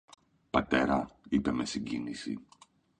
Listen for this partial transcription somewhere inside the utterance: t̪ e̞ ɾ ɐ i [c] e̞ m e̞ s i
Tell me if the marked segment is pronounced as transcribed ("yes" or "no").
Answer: no